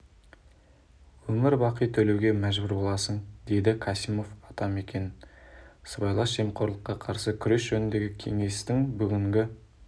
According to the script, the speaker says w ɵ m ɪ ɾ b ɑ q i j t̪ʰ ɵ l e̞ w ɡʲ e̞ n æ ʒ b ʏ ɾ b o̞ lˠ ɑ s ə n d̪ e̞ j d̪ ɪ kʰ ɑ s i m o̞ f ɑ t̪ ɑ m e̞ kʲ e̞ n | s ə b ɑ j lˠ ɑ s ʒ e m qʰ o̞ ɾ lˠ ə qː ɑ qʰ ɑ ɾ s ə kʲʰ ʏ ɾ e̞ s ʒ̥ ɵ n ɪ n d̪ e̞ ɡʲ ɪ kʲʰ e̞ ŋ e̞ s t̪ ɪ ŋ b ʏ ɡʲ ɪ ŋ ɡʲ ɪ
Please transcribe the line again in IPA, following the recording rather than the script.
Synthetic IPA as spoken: w ɵ m ɪ ɾ b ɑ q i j t̪ʰ ɵ l e̞ w ɡʲ e̞ m æ ʒ b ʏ ɾ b o̞ lˠ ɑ s ə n d̪ e̞ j d̪ ɪ kʰ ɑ s i m o̞ f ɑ t̪ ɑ m e̞ kʲ e̞ n | s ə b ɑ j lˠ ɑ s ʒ e m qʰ o̞ ɾ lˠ ə qː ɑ qʰ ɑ ɾ s ə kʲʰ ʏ ɾ e̞ s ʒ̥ ɵ n ɪ n d̪ e̞ ɡʲ ɪ kʲʰ e̞ ŋ e̞ s t̪ ɪ ŋ b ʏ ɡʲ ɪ ŋ ɡʲ ɪ